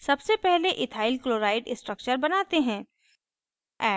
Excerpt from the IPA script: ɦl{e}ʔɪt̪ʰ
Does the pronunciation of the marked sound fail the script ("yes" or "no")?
no